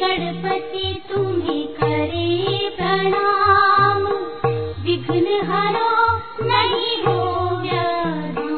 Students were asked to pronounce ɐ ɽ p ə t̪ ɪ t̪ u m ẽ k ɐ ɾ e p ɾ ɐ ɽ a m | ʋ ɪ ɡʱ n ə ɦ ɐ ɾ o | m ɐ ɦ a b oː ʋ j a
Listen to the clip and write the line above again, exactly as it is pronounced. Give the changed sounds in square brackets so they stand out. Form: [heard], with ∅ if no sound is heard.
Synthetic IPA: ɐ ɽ p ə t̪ [i] t̪ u m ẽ k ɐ ɾ e p ɾ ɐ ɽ a m | ʋ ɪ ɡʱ n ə ɦ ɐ ɾ o | [n] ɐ ɦ [i] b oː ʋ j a